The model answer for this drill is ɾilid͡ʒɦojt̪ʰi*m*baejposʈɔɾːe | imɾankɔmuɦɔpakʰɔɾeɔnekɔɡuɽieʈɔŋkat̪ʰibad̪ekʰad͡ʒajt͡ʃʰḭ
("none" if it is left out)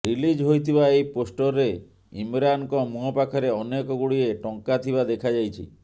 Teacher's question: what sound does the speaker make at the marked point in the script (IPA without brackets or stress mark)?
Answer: none